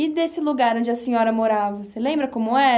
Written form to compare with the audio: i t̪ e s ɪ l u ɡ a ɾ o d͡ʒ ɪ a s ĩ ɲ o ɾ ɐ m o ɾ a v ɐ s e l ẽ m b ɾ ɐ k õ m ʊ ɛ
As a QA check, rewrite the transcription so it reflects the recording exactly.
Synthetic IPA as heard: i d̪ e s ɪ l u ɡ a ɾ õ d͡ʒ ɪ ɐ s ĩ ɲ ɔ ɾ ɐ m o ɾ a v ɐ s e l ẽ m b ɾ ɐ k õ m ʊ ɛ